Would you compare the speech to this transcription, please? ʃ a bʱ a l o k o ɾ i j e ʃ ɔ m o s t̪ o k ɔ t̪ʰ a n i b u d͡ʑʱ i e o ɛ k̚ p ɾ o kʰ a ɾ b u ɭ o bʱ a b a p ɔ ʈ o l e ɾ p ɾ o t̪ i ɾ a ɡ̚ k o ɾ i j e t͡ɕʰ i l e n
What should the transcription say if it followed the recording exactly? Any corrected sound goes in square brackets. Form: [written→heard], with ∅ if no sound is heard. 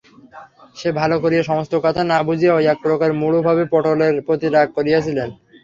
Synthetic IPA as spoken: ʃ [a→e] bʱ a l o k o ɾ i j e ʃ ɔ m o s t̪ o k ɔ t̪ʰ a n [i→a] b u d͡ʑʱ i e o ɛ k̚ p ɾ o [kʰ→k] a ɾ [b→m] u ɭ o bʱ a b [a→e] p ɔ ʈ o l e ɾ p ɾ o t̪ i ɾ a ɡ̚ k o ɾ i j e t͡ɕʰ i l e n

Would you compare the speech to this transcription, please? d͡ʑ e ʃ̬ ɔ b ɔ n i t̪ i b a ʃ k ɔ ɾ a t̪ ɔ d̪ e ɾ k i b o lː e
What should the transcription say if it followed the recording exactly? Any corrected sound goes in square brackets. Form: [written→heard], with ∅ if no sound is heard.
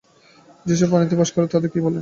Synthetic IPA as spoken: d͡ʑ e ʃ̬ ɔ b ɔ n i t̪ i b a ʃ k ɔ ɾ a t̪ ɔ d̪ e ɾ k i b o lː e

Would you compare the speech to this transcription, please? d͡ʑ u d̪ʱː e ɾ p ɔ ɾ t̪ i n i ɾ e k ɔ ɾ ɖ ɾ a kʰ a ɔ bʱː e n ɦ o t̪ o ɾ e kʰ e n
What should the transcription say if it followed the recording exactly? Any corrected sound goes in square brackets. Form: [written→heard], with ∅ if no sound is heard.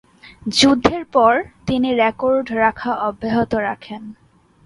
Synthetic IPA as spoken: d͡ʑ u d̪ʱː e ɾ p ɔ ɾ t̪ i n i ɾ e k [ɔ→o] ɾ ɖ ɾ a kʰ a ɔ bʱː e [n→∅] ɦ o t̪ o ɾ [e→a] kʰ e n

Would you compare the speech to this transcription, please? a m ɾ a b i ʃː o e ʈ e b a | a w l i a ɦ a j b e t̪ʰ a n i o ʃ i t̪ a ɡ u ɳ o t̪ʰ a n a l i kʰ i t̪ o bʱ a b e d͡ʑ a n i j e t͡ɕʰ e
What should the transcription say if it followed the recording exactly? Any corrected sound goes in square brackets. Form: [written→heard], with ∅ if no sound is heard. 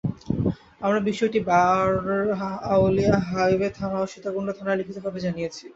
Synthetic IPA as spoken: a m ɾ a b i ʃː o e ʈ [e→i] b a | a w l i a ɦ a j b e t̪ʰ a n [i→a] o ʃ i t̪ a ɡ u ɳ o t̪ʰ a n a l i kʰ i t̪ o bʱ a b e d͡ʑ a n i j e t͡ɕʰ [e→i]

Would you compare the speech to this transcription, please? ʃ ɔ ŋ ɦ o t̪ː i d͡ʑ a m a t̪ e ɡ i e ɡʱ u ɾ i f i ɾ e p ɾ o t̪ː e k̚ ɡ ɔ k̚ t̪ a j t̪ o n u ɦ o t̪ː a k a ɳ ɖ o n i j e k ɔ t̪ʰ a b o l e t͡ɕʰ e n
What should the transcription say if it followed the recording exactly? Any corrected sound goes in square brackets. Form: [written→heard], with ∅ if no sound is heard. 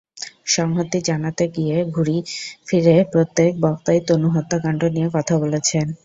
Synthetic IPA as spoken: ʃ ɔ ŋ ɦ o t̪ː i d͡ʑ a [m→n] a t̪ e ɡ i e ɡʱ u ɾ i f i ɾ e p ɾ o t̪ː e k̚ [ɡ→b] ɔ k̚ t̪ a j t̪ o n u ɦ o t̪ː a k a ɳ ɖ o n i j e k ɔ t̪ʰ a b o l e t͡ɕʰ e n

